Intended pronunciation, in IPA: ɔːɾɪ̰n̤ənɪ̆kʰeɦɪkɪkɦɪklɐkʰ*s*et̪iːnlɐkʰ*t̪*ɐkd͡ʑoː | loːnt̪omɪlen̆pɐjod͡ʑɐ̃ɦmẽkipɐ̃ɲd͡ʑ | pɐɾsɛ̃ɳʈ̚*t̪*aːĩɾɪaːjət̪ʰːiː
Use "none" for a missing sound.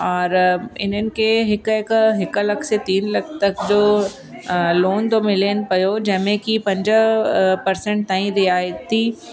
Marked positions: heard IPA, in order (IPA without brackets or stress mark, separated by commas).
s, t̪, t̪